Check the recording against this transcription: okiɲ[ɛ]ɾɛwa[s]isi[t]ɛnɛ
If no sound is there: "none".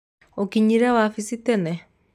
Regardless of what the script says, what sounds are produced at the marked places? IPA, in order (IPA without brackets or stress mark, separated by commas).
i, f, t